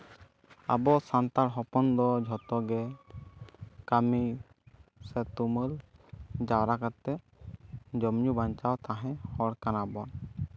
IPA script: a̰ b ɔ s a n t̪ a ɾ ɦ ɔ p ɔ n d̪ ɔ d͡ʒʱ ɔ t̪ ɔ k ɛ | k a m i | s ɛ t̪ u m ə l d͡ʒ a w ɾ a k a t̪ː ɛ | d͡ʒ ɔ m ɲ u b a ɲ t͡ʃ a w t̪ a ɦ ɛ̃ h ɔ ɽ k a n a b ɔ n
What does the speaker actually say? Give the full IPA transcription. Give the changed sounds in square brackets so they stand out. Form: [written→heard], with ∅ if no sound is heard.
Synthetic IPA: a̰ b ɔ s a n t̪ a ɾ ɦ ɔ p ɔ n d̪ ɔ d͡ʒʱ ɔ t̪ ɔ [k→ɡ] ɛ | k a m i | s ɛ t̪ u m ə l d͡ʒ a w ɾ a k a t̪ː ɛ | d͡ʒ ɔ m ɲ u b a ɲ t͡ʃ a w t̪ a ɦ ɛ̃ h ɔ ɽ k a n a b ɔ n

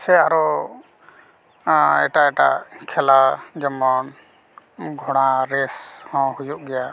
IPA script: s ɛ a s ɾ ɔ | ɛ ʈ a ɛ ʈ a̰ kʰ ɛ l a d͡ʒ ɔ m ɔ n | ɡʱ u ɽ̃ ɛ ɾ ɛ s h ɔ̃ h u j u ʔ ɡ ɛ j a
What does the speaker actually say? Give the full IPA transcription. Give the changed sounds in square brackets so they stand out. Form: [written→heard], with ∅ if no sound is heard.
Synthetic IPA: s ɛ a [s→∅] ɾ ɔ | ɛ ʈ a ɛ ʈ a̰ kʰ ɛ l a d͡ʒ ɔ m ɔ n | ɡʱ [u→ɔ] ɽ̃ [ɛ→a] ɾ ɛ s h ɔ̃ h u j u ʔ ɡ ɛ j a

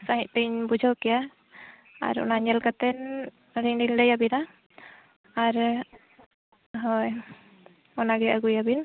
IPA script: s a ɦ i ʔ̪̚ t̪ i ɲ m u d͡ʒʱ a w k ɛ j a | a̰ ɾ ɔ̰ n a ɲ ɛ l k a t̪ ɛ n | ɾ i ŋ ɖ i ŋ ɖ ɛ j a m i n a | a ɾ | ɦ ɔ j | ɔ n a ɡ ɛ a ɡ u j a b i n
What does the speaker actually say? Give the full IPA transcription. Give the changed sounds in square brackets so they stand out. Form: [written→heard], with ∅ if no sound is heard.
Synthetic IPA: s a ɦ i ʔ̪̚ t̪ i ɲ [m→b] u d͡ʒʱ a w k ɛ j a | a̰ ɾ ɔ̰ n a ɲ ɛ l k a t̪ ɛ n | ɾ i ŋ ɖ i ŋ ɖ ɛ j a [m→b] i n a | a ɾ | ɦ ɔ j | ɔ n a ɡ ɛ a ɡ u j a b i n

